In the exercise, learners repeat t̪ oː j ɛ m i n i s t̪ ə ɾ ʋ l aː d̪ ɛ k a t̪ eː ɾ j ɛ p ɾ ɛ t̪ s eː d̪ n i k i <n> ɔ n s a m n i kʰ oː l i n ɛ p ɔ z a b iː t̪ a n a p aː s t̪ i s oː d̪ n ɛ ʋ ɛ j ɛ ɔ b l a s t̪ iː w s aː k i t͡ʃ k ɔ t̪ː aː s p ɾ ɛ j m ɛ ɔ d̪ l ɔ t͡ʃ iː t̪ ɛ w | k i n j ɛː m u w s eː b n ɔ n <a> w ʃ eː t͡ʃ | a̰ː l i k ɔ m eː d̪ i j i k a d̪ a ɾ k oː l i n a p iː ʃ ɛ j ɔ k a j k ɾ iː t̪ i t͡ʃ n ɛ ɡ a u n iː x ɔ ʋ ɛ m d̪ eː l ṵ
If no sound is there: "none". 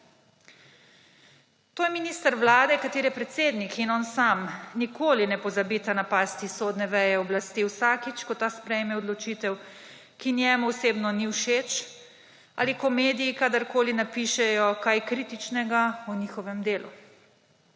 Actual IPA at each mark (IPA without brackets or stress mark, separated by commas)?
n, i